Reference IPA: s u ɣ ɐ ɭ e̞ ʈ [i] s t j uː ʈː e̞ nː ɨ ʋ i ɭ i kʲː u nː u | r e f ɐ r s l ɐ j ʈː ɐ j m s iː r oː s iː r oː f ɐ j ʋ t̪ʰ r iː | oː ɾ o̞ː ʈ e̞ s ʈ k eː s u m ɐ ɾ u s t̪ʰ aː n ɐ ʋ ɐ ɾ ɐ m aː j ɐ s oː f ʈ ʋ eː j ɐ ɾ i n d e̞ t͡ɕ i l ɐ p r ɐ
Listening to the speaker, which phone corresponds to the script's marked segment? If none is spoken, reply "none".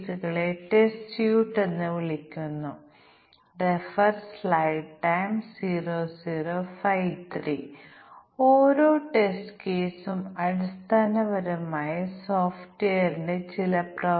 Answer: e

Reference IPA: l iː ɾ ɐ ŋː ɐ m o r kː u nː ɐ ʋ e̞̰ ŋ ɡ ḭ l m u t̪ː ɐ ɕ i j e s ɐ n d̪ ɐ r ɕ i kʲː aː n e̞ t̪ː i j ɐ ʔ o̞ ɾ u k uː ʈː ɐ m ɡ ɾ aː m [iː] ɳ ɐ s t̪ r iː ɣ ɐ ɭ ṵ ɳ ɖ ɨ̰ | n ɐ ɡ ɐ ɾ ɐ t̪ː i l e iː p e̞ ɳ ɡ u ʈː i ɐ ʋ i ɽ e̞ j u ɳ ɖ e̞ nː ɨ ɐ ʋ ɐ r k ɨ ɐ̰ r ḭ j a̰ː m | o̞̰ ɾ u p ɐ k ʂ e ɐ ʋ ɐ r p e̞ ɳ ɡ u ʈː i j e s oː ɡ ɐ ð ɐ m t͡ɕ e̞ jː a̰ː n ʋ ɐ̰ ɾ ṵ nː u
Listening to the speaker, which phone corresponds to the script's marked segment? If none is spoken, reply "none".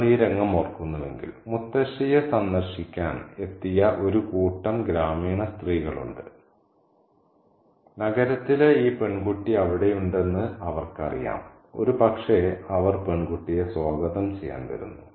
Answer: iː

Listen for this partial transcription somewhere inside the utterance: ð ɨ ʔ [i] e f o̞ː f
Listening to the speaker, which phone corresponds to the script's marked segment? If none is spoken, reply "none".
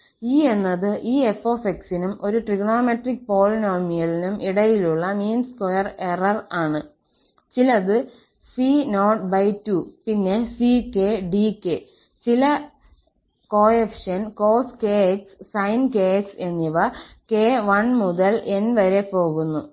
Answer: iː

